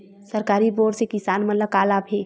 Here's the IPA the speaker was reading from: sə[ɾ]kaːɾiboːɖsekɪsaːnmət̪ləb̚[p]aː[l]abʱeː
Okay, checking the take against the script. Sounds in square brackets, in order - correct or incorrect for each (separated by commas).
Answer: correct, incorrect, correct